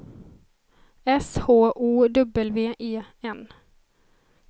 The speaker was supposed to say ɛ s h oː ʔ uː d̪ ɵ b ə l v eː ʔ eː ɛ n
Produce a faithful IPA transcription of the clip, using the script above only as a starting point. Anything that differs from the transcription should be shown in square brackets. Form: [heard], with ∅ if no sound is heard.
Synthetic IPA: ɛ s h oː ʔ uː d̪ ɵ b ə l v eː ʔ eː ɛ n

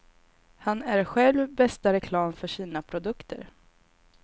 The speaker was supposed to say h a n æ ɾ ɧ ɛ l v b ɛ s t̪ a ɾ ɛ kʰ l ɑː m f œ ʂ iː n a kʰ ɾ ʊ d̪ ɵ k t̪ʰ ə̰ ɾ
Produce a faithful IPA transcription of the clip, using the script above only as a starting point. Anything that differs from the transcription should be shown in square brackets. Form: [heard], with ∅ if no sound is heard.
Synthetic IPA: h a n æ ɾ ɧ ɛ l v b ɛ s t̪ a ɾ ɛ kʰ l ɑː m f œ ʂ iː n a [pʰ] ɾ ʊ d̪ ɵ k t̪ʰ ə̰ ɾ

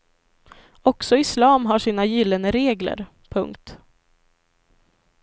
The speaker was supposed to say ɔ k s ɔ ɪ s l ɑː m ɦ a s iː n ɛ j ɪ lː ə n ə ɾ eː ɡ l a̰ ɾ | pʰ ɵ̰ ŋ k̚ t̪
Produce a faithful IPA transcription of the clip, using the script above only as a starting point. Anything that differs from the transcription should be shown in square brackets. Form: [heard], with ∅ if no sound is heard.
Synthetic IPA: ɔ k s ɔ ɪ s l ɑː m ɦ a [ʂ] iː n [a] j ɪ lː ə n ə ɾ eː ɡ l [ə̰] ɾ | pʰ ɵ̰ ŋ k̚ t̪

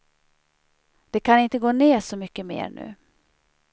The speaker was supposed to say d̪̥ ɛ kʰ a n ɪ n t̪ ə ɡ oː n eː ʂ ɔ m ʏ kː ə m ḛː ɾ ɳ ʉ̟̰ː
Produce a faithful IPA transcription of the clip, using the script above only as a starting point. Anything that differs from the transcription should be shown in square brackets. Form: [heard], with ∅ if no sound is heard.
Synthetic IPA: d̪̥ ɛ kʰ a n ɪ n t̪ ə ɡ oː n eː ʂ ɔ m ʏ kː ə m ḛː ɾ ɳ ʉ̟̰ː

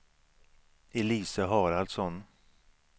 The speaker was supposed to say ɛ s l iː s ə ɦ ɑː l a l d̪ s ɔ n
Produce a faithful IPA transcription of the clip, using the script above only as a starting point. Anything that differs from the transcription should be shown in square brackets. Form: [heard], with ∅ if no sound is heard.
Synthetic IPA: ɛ [∅] l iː s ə ɦ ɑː [ɾ] a l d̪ s ɔ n

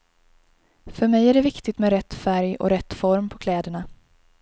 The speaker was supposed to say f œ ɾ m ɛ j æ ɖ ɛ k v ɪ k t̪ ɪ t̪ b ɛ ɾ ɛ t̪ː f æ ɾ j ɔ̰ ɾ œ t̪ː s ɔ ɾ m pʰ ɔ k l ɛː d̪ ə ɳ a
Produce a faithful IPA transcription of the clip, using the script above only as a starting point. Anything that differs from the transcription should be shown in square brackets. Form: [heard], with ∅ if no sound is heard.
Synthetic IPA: f œ ɾ m ɛ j æ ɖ ɛ [∅] v ɪ k t̪ ɪ t̪ [m] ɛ ɾ ɛ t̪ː f æ ɾ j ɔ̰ ɾ [ɛ] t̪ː [f] ɔ ɾ m pʰ ɔ [kʰ] l ɛː d̪ ə ɳ a

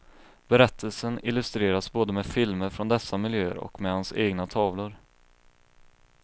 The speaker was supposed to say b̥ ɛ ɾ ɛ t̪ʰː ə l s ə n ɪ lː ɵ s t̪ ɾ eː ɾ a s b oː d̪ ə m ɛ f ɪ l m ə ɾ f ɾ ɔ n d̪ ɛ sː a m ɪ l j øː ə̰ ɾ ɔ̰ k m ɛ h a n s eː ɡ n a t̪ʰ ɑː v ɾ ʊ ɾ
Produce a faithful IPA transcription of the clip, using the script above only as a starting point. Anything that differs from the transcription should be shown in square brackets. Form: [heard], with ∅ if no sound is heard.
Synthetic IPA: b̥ ɛ ɾ ɛ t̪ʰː ə l s ə n ɪ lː ɵ s t̪ ɾ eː ɾ a s b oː d̪ ə m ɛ f ɪ l m ə ɾ f ɾ ɔ n d̪ ɛ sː a m ɪ l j øː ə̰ ɾ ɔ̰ k m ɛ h a n s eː ɡ n a t̪ʰ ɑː v [l] ʊ ɾ

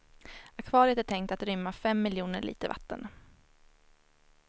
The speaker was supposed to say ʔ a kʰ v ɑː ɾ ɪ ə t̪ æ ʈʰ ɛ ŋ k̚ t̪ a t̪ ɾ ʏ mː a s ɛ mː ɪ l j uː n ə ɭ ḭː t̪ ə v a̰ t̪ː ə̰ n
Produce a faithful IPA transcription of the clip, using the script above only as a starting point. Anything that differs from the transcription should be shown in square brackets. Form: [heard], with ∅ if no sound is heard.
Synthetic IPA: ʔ a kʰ v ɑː ɾ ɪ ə t̪ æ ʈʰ ɛ ŋ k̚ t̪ a t̪ ɾ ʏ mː a [f] ɛ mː ɪ l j uː n ə ɭ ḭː t̪ ə v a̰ t̪ː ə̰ n

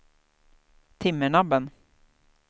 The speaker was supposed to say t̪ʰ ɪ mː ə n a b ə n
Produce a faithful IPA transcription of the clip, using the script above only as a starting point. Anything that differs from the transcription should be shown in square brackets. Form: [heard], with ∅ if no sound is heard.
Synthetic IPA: t̪ʰ ɪ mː ə [ɳ] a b ə n

